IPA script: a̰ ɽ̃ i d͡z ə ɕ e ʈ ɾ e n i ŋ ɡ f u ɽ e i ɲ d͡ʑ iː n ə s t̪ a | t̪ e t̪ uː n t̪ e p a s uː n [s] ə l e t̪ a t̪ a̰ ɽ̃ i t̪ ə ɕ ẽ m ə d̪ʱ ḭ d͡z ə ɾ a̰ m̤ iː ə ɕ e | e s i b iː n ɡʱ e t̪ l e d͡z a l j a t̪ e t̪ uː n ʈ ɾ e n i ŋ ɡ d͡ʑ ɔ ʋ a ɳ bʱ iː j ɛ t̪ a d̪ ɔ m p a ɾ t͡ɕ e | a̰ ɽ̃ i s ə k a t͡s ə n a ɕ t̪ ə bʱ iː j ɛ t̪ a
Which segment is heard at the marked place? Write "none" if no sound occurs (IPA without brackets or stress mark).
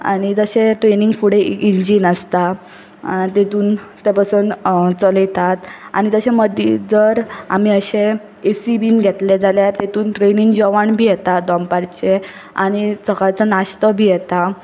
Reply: t͡s